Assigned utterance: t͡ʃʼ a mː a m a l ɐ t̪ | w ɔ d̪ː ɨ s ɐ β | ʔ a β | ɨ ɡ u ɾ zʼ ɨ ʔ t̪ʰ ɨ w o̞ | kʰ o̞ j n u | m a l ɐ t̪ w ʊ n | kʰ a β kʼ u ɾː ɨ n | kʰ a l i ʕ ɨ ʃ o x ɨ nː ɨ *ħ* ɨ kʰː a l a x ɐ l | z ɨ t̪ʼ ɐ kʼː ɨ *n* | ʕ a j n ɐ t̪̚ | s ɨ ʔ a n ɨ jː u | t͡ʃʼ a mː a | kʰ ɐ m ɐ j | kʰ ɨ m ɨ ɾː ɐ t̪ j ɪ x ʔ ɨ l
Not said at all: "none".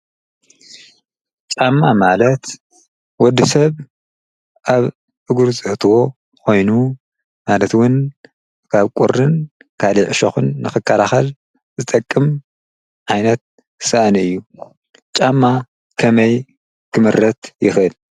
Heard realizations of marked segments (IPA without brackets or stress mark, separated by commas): x, m